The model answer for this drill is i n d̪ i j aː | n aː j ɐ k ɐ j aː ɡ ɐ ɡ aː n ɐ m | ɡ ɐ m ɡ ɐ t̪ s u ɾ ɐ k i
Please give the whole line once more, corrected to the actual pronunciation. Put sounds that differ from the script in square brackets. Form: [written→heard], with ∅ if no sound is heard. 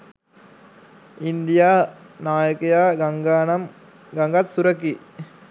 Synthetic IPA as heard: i n d̪ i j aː | n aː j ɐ k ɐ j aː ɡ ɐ ɡ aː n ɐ m | ɡ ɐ [m→ŋ] ɡ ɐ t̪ s u ɾ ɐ k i

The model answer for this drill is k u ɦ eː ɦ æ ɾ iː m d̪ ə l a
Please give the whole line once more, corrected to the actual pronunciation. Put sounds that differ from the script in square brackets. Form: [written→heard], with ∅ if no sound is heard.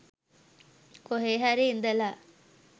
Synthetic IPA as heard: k [u→o] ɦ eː ɦ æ ɾ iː [m→n] d̪ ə l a

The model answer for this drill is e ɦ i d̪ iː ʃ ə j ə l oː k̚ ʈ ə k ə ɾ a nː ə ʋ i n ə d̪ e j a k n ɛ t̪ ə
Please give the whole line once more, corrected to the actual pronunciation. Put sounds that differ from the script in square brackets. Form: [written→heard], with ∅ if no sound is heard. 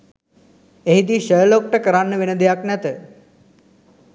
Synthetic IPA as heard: e ɦ i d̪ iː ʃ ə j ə l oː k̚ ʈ ə k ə ɾ a nː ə ʋ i n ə d̪ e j a k n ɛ t̪ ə

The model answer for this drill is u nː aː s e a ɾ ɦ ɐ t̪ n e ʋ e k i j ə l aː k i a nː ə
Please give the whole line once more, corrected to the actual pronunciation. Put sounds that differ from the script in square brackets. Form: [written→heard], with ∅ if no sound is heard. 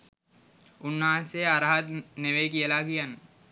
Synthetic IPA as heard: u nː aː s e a ɾ ɦ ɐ t̪ n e ʋ e k i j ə l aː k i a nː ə

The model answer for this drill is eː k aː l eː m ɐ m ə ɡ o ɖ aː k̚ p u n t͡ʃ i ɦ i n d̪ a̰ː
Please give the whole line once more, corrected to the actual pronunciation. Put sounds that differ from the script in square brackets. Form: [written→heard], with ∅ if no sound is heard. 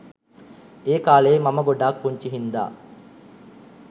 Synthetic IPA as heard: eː k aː l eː m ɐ m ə ɡ o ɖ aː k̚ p u [n→ɲ] t͡ʃ i ɦ i n d̪ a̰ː

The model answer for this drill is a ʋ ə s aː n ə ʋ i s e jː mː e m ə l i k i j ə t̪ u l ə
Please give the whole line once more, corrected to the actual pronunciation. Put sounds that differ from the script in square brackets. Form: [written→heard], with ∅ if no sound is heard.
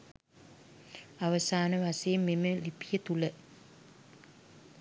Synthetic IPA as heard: a ʋ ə s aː n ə ʋ [i→a] s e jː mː e m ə l i [k→p] i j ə t̪ u l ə

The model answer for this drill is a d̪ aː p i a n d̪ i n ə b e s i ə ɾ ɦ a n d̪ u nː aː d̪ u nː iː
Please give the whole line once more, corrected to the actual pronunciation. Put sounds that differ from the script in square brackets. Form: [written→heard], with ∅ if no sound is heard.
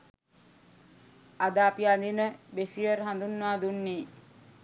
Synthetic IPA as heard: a d̪ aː p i a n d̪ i n ə b e s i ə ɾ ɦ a n d̪ u nː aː d̪ u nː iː

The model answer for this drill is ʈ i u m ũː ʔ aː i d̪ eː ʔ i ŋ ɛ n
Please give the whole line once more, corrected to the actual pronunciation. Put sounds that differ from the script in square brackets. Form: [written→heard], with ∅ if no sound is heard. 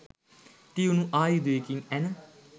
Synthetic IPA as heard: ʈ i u [m→n] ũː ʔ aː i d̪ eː [ʔ→k] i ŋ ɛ n

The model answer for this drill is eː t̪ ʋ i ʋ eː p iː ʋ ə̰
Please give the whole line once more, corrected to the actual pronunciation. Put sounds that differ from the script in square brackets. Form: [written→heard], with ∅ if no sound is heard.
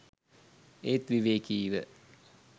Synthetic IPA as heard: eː t̪ ʋ i ʋ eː [p→k] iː ʋ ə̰

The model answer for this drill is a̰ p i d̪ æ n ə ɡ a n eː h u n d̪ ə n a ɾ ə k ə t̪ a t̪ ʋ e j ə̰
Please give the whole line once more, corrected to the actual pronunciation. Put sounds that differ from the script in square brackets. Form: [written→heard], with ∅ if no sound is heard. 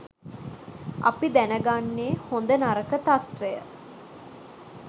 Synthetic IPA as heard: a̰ p i d̪ æ n ə ɡ a [n→nː] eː h [u→o] n d̪ ə n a ɾ ə k ə t̪ a t̪ ʋ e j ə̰

